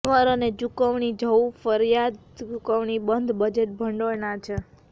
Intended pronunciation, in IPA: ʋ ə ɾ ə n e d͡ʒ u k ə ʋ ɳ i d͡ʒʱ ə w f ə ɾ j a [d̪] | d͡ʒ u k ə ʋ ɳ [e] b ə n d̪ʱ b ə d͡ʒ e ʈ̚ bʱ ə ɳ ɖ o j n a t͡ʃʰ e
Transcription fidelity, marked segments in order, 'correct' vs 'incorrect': correct, incorrect

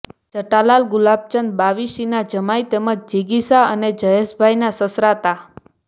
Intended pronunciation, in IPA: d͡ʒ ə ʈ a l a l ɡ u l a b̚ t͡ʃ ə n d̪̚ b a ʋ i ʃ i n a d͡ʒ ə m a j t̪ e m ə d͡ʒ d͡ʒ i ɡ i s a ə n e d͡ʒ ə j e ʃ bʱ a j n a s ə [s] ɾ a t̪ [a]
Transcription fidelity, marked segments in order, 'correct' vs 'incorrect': correct, correct

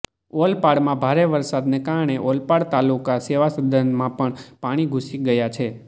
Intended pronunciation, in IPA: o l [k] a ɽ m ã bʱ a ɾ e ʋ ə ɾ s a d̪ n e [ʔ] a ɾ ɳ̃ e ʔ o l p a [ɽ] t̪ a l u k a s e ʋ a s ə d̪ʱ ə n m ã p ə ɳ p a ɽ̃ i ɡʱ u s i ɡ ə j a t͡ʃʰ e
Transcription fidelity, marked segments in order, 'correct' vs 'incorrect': incorrect, incorrect, correct

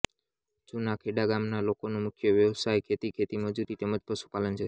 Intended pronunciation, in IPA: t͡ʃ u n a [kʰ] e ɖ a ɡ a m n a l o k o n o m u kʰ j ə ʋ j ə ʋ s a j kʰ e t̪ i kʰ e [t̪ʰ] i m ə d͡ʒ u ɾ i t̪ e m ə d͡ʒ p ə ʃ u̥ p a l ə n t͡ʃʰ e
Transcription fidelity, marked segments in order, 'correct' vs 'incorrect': correct, incorrect

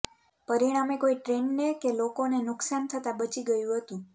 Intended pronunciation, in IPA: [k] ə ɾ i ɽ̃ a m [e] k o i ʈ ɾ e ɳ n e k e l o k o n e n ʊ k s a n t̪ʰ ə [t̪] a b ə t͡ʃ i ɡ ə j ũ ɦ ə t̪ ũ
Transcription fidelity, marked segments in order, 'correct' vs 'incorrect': incorrect, correct, correct

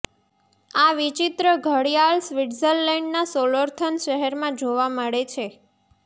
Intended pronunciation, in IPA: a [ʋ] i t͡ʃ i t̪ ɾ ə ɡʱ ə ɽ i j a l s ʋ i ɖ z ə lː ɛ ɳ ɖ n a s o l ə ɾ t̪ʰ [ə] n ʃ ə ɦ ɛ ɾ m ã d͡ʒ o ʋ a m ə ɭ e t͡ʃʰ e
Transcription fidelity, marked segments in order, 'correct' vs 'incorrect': correct, correct

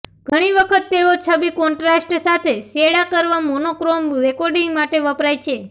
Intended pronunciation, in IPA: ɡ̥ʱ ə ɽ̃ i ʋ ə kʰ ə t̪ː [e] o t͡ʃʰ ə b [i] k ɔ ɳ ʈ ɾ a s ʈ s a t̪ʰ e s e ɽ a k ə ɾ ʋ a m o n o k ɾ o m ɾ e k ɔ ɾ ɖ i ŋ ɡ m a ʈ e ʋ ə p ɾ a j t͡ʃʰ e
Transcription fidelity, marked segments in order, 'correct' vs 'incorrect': correct, correct

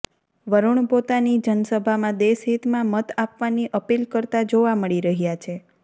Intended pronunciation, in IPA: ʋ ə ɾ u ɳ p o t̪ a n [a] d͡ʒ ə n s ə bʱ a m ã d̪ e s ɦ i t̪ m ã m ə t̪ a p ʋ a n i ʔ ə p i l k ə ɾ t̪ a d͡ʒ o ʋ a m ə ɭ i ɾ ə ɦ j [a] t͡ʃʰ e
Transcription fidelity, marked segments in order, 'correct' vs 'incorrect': incorrect, correct

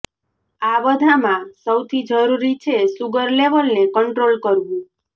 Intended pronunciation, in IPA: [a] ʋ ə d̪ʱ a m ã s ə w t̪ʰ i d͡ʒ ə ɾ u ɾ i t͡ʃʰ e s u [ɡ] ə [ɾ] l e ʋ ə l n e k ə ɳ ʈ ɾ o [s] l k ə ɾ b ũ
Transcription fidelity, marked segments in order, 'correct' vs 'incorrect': correct, correct, correct, incorrect

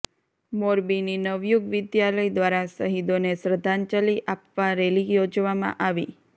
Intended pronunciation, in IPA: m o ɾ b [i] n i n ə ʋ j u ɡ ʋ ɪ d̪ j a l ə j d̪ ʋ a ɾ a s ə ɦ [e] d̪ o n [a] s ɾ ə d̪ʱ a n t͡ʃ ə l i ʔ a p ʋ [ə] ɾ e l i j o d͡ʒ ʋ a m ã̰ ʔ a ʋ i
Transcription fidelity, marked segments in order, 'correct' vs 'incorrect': correct, incorrect, incorrect, incorrect

